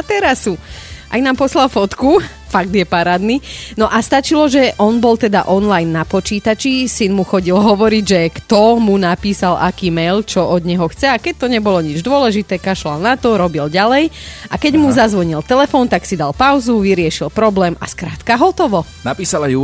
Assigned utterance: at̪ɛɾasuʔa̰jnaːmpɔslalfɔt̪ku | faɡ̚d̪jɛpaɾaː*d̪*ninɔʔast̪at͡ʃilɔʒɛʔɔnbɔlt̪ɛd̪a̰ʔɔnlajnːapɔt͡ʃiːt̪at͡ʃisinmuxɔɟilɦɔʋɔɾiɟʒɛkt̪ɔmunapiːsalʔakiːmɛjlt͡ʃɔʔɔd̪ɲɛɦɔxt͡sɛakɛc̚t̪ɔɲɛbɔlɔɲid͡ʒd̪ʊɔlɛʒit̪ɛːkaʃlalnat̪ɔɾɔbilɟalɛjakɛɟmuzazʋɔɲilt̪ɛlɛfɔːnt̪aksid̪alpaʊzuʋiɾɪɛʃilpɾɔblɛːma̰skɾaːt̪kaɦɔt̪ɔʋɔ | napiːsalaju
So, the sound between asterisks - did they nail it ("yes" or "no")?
yes